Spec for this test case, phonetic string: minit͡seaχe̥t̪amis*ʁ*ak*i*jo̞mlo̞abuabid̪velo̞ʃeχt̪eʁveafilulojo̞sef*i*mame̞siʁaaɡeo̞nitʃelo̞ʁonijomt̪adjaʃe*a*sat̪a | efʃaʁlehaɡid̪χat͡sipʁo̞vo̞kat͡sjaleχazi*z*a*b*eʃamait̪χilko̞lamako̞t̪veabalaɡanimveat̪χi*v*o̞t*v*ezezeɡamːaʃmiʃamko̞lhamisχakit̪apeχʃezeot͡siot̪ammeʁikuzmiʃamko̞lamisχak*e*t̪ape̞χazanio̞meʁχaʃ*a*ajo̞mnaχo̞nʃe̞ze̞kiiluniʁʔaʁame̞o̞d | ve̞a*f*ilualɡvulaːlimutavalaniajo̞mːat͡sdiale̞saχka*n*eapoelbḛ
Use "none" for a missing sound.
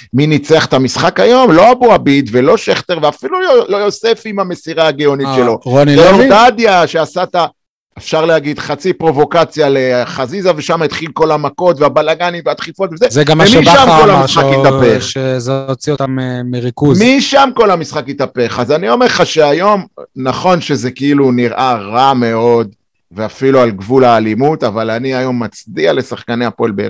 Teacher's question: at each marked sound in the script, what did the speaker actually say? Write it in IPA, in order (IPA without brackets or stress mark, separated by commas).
χ, a, i, a, z, v, f, v, i, e, f, n